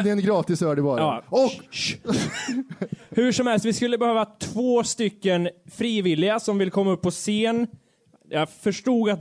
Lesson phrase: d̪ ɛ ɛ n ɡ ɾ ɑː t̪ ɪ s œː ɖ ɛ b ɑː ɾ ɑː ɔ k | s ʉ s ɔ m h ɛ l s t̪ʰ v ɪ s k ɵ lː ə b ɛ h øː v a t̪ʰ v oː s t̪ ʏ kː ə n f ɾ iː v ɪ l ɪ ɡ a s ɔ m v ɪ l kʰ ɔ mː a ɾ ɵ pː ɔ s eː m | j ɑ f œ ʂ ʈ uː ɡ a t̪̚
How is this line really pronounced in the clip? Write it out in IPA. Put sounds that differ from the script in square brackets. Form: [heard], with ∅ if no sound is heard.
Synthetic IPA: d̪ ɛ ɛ n ɡ ɾ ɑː t̪ ɪ s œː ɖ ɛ b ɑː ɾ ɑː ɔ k | [h] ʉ [ʂ] ɔ m h ɛ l s [t̪] v ɪ s k ɵ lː ə b ɛ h øː v a t̪ʰ v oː s t̪ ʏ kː ə n f ɾ iː v ɪ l ɪ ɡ a s ɔ m v ɪ l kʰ ɔ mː a [∅] ɵ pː ɔ s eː [n] | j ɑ f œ ʂ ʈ uː ɡ a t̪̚